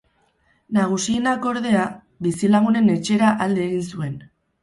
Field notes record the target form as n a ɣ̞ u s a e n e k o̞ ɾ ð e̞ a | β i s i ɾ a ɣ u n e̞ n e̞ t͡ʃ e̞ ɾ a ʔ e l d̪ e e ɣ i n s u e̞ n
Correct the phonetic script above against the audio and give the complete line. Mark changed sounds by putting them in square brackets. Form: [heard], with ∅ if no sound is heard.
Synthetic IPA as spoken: n a ɣ̞ u s [i] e n [a] k o̞ ɾ ð e̞ a | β i s i [l] a ɣ u n e̞ n e̞ t͡ʃ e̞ ɾ a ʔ [a] l d̪ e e ɣ i n s u e̞ n